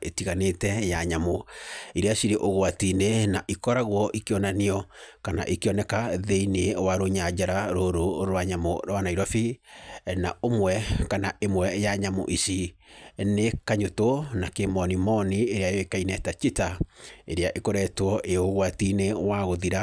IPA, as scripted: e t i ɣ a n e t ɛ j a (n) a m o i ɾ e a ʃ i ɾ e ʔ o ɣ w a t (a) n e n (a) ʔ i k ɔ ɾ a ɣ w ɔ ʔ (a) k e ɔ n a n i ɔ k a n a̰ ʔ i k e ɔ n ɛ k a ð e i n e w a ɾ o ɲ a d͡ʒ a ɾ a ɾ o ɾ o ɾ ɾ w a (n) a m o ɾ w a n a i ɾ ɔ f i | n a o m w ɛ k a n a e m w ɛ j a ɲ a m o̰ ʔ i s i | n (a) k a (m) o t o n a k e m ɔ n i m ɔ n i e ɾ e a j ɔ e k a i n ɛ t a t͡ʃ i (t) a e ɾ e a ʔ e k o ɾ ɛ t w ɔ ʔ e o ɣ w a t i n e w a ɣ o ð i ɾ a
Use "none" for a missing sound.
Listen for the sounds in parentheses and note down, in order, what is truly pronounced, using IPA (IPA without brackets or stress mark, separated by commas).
ɲ, i, a, i, ɲ, e, ɲ, t